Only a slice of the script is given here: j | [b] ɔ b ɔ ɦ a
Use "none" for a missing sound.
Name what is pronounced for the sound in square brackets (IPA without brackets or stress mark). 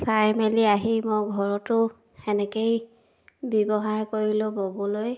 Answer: b